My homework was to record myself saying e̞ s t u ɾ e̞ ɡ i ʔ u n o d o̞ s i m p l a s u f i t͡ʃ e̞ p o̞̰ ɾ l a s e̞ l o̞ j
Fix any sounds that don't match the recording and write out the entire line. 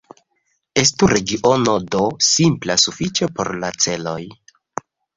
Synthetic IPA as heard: e̞ s t u ɾ e̞ ɡ i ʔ o n o d o̞ s i m p l a s u f i t͡ʃ e̞ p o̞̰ ɾ l a t͡s e̞ l o̞ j